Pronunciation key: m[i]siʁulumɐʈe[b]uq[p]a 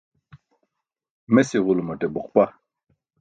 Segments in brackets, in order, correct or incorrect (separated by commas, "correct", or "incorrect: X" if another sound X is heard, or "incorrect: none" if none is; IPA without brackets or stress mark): incorrect: e, correct, correct